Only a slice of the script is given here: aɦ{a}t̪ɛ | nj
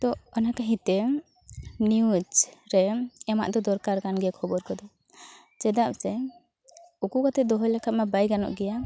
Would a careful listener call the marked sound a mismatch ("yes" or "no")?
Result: yes